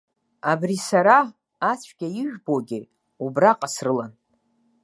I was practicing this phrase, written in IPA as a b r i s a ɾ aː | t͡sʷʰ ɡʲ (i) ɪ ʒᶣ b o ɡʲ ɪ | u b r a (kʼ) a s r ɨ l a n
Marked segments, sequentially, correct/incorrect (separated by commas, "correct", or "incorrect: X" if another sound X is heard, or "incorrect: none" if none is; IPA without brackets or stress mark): incorrect: a, incorrect: qʼ